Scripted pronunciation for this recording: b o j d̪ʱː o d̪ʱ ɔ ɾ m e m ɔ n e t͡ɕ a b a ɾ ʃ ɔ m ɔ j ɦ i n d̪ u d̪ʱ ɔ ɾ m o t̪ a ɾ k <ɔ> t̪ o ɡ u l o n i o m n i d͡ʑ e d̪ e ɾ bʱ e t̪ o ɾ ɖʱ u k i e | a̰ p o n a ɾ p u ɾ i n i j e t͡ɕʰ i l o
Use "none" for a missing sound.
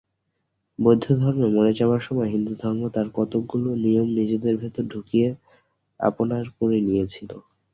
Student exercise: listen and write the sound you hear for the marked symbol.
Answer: ɔ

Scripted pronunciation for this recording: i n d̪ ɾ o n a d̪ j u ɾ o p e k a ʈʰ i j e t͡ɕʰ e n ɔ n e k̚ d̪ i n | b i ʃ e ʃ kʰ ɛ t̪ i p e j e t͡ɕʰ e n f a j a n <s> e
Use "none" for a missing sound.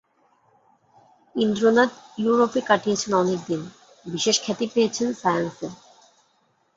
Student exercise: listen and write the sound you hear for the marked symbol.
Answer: s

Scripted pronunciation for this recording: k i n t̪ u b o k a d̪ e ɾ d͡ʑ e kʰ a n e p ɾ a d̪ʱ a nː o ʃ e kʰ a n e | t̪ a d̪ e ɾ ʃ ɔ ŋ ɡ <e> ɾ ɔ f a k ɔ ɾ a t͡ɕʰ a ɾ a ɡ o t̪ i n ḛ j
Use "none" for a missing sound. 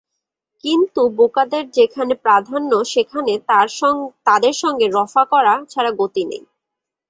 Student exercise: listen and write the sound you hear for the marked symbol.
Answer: e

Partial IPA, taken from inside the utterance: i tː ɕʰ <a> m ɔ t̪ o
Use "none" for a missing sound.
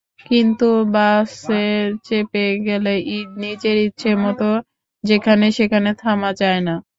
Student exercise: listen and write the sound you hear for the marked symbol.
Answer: e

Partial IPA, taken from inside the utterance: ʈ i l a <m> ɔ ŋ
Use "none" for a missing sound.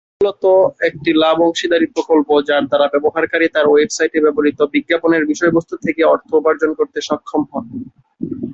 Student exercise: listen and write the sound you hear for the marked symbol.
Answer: b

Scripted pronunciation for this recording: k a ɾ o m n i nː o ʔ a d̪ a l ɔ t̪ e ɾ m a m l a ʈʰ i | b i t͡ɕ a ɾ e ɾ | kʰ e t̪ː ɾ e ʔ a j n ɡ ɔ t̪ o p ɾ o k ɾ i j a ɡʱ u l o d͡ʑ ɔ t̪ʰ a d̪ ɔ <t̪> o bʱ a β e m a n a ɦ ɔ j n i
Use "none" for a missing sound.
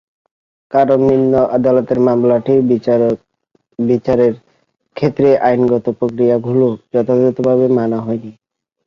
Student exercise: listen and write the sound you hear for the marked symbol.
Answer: t̪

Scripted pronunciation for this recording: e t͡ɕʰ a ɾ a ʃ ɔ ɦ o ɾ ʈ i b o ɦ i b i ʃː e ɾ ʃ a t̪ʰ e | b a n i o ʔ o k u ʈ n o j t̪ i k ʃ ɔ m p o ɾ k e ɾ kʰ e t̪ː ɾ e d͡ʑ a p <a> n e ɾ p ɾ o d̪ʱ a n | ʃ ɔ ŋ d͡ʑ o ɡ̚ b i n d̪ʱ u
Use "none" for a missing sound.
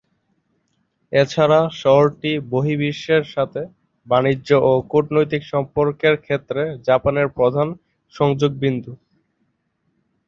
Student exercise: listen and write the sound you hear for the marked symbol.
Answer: a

